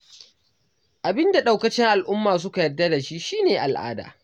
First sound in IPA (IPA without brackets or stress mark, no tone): ʔ